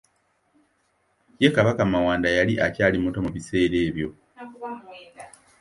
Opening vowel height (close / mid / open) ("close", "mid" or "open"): mid